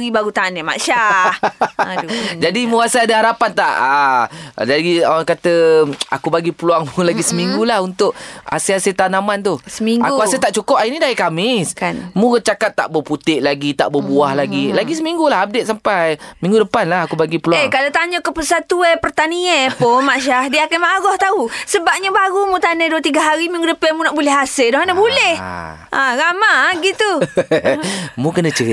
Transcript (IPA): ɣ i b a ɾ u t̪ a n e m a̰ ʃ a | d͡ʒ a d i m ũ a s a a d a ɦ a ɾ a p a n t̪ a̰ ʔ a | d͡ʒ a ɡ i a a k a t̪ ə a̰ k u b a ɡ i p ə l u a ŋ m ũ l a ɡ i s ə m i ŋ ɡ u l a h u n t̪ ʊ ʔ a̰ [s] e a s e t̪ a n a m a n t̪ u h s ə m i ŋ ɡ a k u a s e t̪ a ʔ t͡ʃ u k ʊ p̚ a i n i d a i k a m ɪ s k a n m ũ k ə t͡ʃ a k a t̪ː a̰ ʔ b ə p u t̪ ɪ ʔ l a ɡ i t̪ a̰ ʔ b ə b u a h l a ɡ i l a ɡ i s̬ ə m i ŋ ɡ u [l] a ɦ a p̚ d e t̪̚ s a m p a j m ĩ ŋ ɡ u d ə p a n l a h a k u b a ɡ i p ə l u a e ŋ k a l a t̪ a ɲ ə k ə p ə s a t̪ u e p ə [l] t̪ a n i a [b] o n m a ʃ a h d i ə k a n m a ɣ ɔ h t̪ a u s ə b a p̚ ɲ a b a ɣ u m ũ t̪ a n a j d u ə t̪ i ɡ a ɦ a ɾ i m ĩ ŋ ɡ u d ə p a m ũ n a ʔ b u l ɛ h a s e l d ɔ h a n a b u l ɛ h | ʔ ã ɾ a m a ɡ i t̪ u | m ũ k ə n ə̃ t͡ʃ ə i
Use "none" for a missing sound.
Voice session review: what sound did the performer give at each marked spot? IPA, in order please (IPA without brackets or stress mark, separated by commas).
s, l, r, p